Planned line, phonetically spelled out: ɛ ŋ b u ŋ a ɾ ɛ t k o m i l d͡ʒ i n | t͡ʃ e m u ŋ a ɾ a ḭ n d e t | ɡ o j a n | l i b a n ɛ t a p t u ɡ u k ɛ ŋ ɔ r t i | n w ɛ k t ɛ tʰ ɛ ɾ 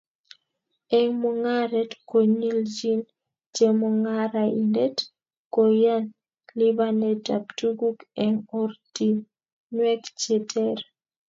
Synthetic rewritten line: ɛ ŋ m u ŋ a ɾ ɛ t k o ɲ i l d͡ʒ i n | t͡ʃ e m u ŋ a ɾ a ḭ n d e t | k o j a n | l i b a n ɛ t a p t u ɡ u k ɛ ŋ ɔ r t i | n w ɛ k t͡ʃ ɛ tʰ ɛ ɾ